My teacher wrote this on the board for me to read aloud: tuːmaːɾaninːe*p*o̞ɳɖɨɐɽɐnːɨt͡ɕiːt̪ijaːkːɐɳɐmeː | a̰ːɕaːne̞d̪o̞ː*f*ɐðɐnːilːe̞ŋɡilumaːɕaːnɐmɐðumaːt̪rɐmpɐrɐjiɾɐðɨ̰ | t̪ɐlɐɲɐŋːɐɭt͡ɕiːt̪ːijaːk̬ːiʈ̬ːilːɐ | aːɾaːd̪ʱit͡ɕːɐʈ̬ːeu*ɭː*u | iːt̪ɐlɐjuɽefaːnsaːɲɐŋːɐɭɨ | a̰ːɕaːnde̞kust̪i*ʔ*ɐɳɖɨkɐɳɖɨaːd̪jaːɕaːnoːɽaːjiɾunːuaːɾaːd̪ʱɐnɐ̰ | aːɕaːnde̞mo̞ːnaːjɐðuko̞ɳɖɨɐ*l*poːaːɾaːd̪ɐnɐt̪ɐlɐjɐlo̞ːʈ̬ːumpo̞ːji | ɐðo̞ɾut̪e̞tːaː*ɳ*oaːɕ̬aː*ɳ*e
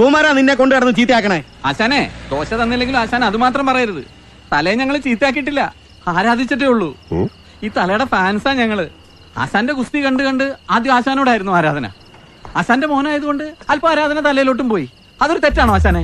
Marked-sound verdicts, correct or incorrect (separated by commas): incorrect, incorrect, correct, incorrect, correct, correct, incorrect